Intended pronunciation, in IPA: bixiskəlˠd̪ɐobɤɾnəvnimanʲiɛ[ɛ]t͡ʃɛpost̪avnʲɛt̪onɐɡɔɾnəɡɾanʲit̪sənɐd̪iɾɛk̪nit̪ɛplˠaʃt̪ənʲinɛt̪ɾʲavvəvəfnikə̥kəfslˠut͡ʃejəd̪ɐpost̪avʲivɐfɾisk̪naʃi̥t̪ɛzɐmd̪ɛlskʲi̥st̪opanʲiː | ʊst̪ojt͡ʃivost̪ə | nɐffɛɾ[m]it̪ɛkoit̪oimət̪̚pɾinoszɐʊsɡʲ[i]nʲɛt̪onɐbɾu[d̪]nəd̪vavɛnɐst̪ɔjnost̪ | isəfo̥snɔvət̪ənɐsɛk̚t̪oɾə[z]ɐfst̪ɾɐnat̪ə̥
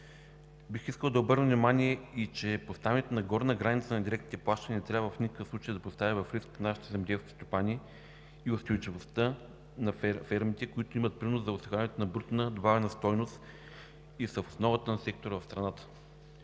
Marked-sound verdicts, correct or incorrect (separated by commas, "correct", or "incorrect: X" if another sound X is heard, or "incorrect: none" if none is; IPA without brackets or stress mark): incorrect: i, correct, incorrect: a, incorrect: t̪, incorrect: v